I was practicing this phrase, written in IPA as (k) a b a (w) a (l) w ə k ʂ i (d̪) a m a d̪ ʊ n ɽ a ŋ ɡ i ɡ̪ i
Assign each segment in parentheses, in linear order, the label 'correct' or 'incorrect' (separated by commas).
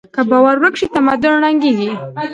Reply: correct, correct, incorrect, incorrect